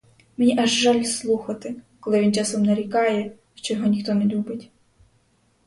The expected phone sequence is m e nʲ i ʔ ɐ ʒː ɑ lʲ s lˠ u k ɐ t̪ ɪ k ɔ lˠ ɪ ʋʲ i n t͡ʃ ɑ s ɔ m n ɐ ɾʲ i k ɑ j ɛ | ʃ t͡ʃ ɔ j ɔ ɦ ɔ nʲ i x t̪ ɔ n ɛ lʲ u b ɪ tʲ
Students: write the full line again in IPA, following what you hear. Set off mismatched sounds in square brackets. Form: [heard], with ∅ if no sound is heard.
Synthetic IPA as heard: m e nʲ i ʔ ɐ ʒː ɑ lʲ s lˠ u [x] ɐ t̪ ɪ k ɔ lˠ ɪ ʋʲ i n t͡ʃ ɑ s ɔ m n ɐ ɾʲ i k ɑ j ɛ | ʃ t͡ʃ ɔ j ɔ ɦ ɔ nʲ i x t̪ ɔ n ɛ lʲ u b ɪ tʲ